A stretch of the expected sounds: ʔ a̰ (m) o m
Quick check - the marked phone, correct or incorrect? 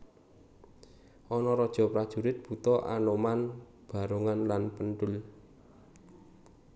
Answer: incorrect